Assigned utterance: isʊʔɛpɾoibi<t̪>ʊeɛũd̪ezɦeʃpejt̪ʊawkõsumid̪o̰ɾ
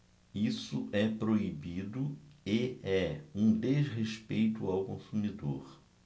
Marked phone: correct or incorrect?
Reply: incorrect